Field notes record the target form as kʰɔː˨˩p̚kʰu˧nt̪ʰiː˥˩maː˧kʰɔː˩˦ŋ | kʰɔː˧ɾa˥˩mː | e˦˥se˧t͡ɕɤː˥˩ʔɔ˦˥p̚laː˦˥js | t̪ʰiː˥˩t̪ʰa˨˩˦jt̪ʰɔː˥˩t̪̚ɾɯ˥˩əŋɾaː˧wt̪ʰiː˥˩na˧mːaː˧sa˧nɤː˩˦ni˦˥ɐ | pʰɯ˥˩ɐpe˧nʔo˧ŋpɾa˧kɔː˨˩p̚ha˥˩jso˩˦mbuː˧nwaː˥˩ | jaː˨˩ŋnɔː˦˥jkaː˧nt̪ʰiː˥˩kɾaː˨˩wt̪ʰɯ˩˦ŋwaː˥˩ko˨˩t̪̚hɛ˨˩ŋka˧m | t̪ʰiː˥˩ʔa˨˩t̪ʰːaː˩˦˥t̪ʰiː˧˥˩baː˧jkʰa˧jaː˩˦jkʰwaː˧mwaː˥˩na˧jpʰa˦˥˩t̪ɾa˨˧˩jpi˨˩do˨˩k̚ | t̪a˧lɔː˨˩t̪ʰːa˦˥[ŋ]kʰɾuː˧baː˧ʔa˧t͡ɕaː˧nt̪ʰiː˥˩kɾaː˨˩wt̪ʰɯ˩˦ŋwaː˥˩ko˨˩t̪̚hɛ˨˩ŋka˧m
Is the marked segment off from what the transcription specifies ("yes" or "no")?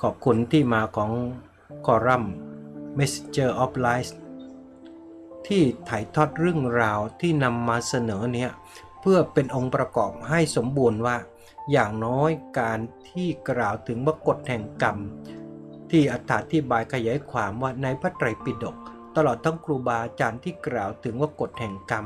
no